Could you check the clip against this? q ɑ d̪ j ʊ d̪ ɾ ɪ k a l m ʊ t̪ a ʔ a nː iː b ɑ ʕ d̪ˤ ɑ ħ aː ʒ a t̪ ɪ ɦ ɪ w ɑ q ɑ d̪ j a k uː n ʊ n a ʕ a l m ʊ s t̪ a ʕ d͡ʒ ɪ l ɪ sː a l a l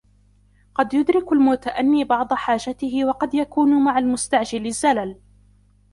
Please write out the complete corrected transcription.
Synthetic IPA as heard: q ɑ d̪ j ʊ d̪ ɾ ɪ k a l m ʊ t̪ a ʔ a nː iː b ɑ ʕ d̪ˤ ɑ ħ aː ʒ a t̪ ɪ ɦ ɪ w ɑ q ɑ d̪ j a k uː n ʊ m a ʕ a l m ʊ s t̪ a ʕ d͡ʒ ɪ l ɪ zː a l a l